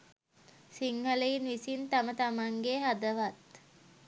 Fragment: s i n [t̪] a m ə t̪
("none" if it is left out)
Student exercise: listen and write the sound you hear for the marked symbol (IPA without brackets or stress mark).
t̪